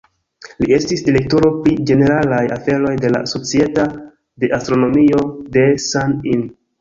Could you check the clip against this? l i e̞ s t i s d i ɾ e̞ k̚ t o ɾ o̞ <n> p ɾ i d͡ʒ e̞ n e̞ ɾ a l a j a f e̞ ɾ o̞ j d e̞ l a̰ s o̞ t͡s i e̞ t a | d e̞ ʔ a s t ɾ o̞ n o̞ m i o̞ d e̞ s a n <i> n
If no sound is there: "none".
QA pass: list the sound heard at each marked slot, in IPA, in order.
none, i

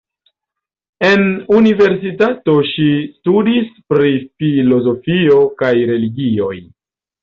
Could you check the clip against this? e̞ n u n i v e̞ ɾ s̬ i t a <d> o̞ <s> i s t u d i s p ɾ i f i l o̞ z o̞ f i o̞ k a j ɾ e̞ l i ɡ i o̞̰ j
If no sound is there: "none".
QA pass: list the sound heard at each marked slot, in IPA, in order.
t, ʃ

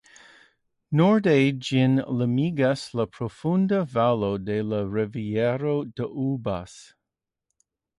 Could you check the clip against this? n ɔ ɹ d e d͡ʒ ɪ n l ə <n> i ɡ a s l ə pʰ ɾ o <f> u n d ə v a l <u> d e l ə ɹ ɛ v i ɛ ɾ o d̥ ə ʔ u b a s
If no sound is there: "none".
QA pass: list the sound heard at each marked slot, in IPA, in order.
m, f, o

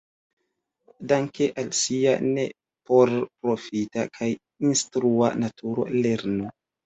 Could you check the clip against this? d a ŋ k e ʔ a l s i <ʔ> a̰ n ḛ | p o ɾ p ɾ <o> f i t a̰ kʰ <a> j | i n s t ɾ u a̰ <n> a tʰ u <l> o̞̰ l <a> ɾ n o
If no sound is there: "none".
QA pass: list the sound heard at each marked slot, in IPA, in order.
none, o, a, n, ɾ, e

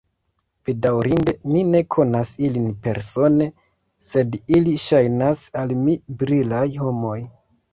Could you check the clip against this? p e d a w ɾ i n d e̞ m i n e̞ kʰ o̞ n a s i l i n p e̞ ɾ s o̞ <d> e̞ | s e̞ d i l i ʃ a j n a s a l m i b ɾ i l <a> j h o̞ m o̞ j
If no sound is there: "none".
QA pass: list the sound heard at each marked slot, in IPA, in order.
n, a

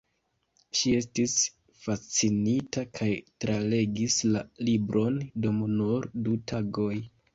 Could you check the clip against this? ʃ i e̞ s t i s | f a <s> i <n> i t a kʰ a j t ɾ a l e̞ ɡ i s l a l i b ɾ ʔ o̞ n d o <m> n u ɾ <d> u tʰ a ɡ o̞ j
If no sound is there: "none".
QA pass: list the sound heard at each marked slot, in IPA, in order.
t͡s, n, m, d

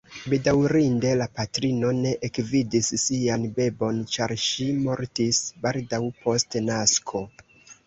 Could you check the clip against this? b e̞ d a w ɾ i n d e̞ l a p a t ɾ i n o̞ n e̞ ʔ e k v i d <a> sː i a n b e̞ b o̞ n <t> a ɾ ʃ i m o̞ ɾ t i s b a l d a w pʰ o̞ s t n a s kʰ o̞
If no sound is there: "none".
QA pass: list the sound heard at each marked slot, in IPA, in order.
i, t͡ʃ

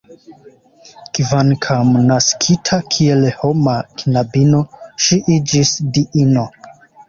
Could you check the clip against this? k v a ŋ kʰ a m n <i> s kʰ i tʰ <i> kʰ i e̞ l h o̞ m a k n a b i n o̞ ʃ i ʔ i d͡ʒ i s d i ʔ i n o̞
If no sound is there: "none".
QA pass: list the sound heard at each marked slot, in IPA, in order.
a, a

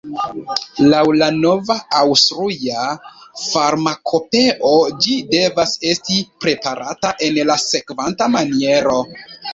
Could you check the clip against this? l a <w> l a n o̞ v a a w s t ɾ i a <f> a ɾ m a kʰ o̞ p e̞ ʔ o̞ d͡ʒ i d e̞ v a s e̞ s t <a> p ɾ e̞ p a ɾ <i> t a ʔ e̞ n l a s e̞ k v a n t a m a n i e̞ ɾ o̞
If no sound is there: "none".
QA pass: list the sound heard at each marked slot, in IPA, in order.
w, f, i, a

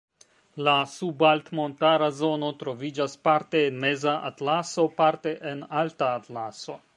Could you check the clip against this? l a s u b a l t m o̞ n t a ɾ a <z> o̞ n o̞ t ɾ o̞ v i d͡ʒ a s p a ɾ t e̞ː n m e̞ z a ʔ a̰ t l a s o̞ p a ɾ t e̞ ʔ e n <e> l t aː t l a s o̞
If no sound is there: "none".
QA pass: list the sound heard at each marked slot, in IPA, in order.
z, a

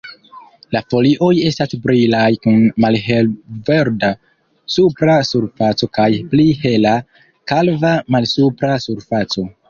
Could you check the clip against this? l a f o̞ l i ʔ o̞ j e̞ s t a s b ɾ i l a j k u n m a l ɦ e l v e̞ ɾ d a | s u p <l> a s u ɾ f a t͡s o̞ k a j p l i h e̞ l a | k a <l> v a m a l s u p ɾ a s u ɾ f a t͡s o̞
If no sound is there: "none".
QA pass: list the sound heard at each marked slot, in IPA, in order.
ɾ, l

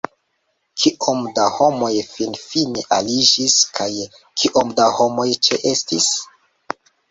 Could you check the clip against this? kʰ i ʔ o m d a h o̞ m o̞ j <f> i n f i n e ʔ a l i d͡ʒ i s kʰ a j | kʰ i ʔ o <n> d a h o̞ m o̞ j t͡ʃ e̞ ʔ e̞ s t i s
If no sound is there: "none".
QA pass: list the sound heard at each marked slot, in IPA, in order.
f, m

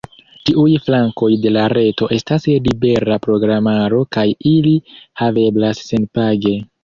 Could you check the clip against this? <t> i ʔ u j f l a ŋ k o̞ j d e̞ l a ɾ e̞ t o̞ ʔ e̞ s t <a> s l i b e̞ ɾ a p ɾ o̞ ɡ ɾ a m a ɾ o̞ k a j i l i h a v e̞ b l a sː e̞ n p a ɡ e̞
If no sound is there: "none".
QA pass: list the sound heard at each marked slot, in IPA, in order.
t, a

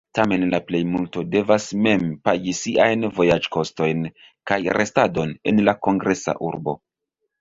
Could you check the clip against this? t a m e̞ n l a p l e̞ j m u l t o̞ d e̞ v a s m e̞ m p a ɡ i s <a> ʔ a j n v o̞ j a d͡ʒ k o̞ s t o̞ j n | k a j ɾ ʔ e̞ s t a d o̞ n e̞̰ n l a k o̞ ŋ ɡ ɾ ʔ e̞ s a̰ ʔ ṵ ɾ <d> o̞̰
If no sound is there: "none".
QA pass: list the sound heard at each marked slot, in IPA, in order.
i, b

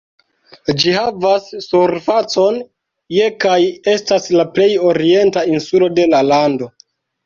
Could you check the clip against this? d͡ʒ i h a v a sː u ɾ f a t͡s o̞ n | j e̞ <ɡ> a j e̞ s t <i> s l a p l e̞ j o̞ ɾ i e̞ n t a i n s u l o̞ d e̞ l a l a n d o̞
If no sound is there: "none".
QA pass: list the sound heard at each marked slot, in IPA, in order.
k, a

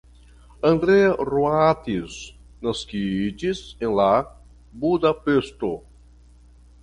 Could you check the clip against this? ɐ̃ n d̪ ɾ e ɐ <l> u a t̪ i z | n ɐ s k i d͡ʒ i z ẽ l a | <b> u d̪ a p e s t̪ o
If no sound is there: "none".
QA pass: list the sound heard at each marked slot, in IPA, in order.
r, b

